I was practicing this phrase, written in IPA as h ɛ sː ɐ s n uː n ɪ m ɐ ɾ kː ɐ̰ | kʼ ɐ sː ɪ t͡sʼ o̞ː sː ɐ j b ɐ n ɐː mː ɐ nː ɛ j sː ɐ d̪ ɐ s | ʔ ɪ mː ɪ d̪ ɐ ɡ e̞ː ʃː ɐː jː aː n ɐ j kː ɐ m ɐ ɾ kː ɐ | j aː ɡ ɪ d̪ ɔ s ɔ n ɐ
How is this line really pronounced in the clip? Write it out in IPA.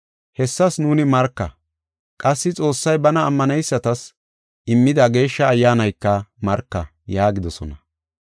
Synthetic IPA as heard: h ɛ sː ɐ s n uː n ɪ m ɐ ɾ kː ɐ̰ | kʼ ɐ sː ɪ t͡sʼ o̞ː sː ɐ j b ɐ n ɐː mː ɐ n ɛ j sː ɐ t̪ ɐ s | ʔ ɪ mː ɪ d̪ ɐ ɡ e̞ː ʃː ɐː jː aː n ɐ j kː ɐ m ɐ ɾ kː ɐ | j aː ɡ ɪ d̪ ɔ s ɔ n ɐ

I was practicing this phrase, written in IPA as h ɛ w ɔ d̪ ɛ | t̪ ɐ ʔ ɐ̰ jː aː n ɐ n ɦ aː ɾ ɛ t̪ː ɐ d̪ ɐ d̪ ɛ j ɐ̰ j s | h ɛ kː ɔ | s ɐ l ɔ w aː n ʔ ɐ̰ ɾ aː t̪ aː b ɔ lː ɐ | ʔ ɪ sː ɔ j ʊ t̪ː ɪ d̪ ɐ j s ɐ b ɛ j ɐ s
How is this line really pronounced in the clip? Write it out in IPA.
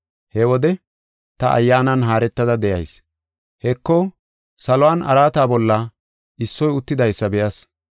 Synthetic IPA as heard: h ɛ w ɔ d̪ ɛ | t̪ ɐ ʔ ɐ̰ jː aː n ɐ n ɦ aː ɾ ɛ t̪ː ɐ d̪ ɐ d̪ ɛ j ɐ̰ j s | h ɛ kː ɔ | s ɐ l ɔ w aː n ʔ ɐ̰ ɾ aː t̪ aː b ɔ lː ɐ | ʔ ɪ sː ɔ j ʊ t̪ː ɪ d̪ ɐ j sː ɐ b ɛ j ɐ s

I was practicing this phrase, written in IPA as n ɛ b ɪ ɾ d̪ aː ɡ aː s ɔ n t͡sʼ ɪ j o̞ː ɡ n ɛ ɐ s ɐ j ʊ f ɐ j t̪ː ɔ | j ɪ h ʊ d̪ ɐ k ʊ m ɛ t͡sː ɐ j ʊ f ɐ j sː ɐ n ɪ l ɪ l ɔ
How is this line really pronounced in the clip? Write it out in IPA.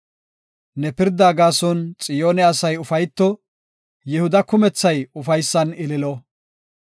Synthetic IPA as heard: n ɛ p ɪ ɾ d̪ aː ɡ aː s ɔ n t͡sʼ ɪ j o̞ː n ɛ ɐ s ɐ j ʊ f ɐ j t̪ː ɔ | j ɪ h ʊ d̪ ɐ k ʊ m ɛ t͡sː ɐ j ʊ f ɐ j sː ɐ n ɪ l ɪ l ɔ

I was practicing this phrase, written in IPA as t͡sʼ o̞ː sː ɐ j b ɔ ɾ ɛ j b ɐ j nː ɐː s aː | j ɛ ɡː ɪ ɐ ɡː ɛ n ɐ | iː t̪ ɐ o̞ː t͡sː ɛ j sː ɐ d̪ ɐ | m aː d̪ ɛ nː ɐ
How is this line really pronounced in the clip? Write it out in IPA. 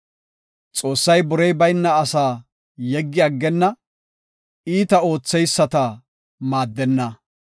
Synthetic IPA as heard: t͡sʼ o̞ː sː ɐ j b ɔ ɾ ɛ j b ɐ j nː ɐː s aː | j ɛ ɡː ɪ ɐ ɡː ɛ nː ɐ | iː t̪ ɐ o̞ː t͡sː ɛ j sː ɐ t̪ ɐ | m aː d̪ː ɛ nː ɐ

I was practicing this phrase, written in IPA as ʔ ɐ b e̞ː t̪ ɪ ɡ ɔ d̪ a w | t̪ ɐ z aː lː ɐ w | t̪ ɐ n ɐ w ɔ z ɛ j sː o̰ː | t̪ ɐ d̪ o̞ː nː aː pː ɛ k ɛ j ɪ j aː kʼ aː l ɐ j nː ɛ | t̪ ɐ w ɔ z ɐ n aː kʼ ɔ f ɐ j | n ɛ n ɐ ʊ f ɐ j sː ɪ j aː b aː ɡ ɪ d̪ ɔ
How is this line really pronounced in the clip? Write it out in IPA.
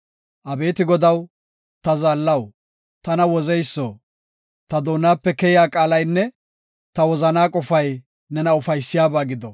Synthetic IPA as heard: ʔ ɐ b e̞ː t̪ ɪ ɡ ɔ d̪ ɐ w | t̪ ɐ z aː lː ɐ w | t̪ ɐ n ɐ w ɔ z ɛ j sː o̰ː | t̪ ɐ d̪ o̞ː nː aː pː ɛ k ɛ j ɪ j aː kʼ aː l ɐ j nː ɛ | t̪ ɐ w ɔ z ɐ n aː kʼ ɔ f ɐ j | n ɛ n ɐ ʊ f ɐ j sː ɪ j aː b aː ɡ ɪ d̪ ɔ

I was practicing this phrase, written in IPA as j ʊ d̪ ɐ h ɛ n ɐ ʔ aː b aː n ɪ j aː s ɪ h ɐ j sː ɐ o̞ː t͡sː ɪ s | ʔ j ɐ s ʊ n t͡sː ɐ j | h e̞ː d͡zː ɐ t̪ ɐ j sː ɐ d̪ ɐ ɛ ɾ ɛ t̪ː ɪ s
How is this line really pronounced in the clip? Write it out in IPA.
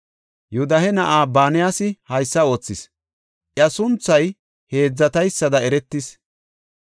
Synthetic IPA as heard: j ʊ d̪ ɐ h ɛ n ɐ ʔ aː b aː n ɪ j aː s ɪ h ɐ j sː ɐ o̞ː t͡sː ɪ s | ʔ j ɐ s ʊ n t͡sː ɐ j | h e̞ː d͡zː ɐ t̪ ɐ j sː ɐ d̪ ɐ ɛ ɾ ɛ t̪ː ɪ s

